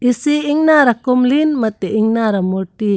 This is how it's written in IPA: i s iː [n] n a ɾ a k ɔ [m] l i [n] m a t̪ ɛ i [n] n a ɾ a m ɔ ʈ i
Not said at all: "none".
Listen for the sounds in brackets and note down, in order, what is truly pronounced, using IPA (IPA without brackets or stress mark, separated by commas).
ŋ, m, n, ŋ